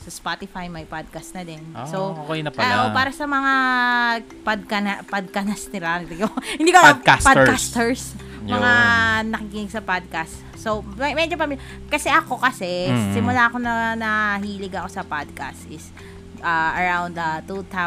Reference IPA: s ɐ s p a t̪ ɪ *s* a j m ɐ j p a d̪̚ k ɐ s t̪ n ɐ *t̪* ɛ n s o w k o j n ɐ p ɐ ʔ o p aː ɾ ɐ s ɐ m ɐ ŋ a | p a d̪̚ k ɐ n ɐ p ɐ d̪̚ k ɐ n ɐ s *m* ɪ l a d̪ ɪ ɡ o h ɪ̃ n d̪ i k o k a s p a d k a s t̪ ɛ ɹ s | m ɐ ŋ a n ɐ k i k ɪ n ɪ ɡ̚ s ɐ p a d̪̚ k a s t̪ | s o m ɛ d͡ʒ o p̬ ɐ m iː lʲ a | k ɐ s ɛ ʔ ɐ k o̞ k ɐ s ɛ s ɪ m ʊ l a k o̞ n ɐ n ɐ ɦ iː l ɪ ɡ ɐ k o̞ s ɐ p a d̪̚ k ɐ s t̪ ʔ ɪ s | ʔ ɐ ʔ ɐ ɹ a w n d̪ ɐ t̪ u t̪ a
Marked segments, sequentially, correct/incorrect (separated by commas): incorrect, incorrect, incorrect